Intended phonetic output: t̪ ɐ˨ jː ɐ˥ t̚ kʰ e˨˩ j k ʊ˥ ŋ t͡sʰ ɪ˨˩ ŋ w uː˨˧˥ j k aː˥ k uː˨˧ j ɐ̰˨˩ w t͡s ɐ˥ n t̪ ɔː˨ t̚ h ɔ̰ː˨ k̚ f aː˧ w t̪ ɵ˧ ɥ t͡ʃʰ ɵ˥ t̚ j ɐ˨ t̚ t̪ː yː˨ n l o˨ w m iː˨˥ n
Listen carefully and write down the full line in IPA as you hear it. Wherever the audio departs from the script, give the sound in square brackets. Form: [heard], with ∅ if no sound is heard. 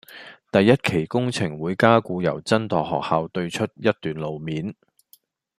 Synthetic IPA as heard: t̪ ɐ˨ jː ɐ˥ t̚ kʰ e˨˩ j k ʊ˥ ŋ t͡sʰ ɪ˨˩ ŋ w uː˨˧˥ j k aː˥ k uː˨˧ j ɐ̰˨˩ w t͡s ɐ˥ n t̪ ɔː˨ [k̚] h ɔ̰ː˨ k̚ [h] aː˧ w t̪ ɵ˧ ɥ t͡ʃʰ ɵ˥ t̚ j [ɐ˥] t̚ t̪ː yː˨ n l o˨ w m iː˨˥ n